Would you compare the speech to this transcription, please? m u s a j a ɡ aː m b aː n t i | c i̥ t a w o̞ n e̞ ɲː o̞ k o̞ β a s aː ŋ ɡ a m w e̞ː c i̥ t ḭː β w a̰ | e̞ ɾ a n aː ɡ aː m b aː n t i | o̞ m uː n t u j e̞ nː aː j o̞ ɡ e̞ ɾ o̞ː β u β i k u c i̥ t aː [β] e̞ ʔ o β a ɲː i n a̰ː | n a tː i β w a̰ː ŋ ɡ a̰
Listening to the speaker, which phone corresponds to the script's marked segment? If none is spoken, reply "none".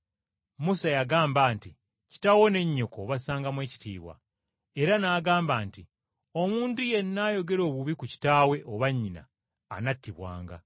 w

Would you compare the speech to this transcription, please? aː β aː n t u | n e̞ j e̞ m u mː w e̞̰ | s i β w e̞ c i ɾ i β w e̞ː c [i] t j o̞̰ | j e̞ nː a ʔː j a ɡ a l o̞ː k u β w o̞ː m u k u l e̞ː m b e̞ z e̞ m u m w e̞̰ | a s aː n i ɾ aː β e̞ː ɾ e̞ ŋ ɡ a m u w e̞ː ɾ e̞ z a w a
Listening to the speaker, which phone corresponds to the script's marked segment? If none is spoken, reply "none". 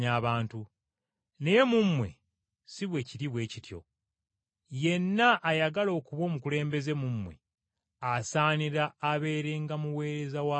i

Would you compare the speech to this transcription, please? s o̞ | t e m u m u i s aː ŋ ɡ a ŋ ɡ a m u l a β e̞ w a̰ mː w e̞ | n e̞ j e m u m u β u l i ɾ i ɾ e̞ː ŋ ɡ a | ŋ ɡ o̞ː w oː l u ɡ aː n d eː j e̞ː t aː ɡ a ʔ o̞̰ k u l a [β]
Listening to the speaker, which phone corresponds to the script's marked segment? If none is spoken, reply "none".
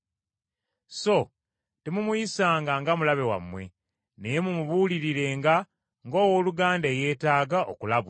β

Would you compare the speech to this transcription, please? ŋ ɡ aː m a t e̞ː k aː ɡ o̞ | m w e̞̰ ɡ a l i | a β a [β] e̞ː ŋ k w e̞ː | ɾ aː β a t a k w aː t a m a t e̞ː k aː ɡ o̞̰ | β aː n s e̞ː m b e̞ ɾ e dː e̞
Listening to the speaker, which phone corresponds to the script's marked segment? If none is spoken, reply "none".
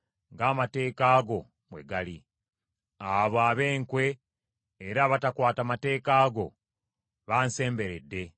β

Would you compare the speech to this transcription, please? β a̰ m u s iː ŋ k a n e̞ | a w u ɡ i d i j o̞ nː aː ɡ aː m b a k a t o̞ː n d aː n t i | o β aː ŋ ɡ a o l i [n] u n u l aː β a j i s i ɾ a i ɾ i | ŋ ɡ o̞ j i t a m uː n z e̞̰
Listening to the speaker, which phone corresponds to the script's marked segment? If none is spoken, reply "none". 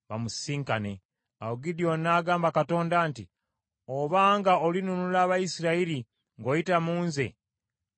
n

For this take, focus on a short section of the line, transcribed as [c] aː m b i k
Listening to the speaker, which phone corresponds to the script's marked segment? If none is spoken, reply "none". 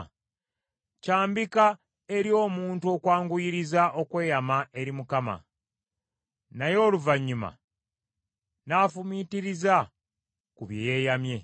c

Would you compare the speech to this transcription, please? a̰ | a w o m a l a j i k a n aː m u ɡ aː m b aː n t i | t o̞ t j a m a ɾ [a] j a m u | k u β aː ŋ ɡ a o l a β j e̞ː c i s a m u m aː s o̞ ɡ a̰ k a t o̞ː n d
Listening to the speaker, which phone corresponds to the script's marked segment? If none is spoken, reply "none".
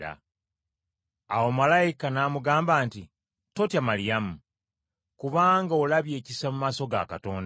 i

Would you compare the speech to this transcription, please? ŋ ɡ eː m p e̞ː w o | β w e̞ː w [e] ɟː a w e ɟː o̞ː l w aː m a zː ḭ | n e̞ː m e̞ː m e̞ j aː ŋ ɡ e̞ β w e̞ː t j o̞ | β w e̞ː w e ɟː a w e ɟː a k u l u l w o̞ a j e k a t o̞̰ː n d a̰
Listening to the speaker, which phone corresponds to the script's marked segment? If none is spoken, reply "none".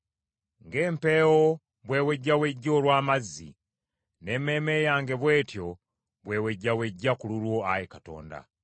e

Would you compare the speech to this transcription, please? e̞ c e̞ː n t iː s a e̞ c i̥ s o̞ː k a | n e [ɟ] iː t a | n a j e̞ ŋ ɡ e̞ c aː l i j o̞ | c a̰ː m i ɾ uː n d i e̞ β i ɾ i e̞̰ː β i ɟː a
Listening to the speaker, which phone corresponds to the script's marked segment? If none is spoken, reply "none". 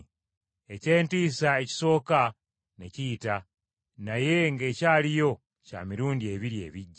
c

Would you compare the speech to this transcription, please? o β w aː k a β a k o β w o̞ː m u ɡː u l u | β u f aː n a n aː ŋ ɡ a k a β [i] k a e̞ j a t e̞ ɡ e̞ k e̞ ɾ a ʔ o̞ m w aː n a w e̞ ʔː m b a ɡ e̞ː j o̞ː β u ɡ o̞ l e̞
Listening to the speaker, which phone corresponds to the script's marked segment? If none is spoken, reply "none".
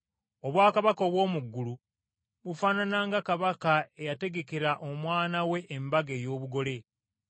a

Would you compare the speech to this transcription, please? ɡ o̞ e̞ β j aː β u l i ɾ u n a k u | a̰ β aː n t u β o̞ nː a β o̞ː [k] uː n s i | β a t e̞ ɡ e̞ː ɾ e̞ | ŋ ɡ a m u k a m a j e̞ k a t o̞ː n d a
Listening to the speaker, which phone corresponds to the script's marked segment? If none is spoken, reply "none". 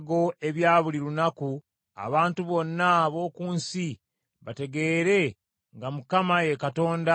k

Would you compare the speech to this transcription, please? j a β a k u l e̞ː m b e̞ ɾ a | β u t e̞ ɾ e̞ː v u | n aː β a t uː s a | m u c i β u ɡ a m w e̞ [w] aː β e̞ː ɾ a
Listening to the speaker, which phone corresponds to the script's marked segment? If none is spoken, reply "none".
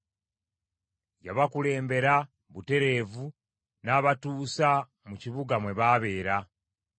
β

